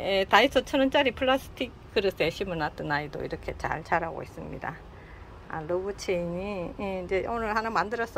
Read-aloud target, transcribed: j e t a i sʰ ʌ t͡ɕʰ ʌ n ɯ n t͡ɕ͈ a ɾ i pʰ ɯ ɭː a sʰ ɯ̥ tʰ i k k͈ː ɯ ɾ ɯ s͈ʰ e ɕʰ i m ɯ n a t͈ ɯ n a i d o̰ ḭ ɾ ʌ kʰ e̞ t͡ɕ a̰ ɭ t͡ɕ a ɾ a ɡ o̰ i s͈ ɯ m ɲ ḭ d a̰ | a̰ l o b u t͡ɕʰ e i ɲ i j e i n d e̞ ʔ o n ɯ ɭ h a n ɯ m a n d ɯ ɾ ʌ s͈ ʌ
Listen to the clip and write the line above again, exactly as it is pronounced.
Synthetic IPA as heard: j e t a i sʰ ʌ t͡ɕʰ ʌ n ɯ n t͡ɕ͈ a ɾ i pʰ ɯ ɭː a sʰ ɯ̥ tʰ i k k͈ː ɯ ɾ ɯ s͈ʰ e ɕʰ i m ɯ n a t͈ ɯ n a i d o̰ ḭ ɾ ʌ kʰ e̞ t͡ɕ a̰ ɭ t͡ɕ a ɾ a ɡ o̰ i s͈ ɯ m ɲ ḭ d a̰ | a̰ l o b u t͡ɕʰ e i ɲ i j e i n d͡ʑ e̞ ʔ o n ɯ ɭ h a n ɯ m a n d ɯ ɾ ʌ s͈ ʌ